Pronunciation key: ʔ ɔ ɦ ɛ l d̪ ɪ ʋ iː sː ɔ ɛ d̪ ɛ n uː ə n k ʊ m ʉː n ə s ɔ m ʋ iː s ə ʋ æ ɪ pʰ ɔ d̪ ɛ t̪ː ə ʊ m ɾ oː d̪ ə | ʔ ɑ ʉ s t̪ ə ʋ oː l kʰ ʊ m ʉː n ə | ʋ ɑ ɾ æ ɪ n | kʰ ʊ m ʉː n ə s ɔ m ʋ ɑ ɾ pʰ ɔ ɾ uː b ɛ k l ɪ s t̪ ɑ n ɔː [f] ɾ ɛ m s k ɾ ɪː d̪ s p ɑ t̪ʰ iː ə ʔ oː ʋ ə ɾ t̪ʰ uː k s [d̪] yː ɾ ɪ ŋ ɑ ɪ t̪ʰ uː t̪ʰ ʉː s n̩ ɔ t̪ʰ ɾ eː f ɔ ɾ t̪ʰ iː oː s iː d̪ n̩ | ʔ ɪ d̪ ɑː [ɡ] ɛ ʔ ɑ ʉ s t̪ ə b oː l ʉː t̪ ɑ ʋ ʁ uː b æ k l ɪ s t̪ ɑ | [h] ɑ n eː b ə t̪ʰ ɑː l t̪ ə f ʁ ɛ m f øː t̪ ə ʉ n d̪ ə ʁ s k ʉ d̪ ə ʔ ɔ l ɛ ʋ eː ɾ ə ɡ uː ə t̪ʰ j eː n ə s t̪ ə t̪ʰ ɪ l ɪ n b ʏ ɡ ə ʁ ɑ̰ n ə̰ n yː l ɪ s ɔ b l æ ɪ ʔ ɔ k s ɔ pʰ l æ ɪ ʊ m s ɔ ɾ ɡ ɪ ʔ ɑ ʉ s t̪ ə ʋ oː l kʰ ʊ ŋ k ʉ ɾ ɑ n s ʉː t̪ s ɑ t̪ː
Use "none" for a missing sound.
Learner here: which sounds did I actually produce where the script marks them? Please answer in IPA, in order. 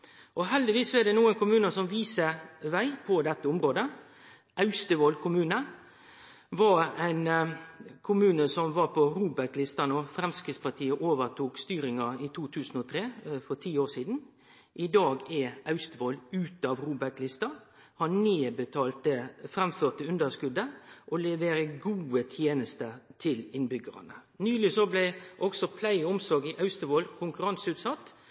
f, t̪, ɡ, h

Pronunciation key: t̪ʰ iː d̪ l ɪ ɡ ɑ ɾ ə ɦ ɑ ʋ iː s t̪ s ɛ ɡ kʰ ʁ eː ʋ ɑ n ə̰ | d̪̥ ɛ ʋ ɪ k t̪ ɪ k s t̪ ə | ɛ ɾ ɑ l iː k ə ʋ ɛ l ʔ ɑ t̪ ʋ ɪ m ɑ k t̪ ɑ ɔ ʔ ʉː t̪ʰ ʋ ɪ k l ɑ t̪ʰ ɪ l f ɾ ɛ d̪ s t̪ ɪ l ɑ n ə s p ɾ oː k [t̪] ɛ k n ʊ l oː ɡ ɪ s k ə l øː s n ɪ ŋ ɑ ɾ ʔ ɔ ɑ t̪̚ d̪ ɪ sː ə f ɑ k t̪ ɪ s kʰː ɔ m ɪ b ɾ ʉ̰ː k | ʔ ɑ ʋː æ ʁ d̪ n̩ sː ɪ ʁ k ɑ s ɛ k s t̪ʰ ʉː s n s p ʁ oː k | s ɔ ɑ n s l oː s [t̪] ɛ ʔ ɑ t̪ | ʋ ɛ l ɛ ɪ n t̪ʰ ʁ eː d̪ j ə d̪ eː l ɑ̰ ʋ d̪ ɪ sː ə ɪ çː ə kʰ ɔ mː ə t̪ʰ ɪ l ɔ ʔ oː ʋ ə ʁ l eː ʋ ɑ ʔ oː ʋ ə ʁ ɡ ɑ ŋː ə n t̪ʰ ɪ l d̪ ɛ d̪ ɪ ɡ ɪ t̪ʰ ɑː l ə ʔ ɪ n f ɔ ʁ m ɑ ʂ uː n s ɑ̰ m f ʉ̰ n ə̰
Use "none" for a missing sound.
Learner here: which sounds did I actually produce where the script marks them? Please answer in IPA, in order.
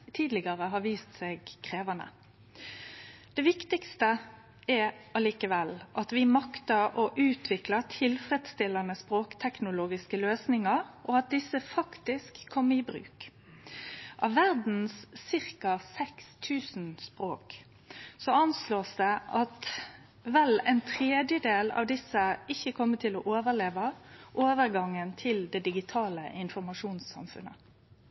t̪ʰ, d̪

